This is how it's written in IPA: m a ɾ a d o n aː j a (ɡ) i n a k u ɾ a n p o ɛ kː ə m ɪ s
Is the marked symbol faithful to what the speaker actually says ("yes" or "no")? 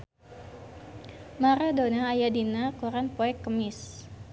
no